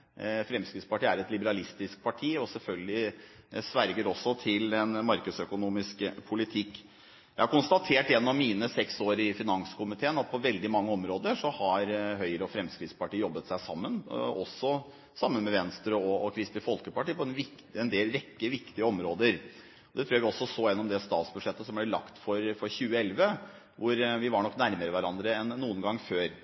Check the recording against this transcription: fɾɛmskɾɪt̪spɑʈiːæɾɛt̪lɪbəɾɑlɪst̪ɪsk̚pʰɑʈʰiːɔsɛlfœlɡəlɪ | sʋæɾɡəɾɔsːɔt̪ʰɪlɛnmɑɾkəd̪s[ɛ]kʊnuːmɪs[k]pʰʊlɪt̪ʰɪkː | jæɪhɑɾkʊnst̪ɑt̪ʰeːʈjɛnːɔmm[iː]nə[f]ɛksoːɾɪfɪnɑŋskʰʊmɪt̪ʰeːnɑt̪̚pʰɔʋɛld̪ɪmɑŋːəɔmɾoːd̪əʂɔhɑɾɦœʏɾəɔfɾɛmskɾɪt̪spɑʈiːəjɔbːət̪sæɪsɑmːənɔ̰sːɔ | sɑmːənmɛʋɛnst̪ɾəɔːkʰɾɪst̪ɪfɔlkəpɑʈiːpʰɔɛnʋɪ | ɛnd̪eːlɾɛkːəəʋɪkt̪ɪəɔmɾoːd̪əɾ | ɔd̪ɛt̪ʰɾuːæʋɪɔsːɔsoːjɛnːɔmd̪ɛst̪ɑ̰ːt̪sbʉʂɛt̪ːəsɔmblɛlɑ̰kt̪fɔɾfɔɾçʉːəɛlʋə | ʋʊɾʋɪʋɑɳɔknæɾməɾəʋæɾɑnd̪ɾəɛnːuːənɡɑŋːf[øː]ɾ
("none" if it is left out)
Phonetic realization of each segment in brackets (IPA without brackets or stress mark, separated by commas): œ, k, iː, s, øː